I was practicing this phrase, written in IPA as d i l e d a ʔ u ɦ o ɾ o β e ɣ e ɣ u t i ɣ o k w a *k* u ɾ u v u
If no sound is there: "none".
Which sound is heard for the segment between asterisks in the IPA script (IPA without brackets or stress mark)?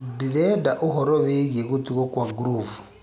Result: ɡ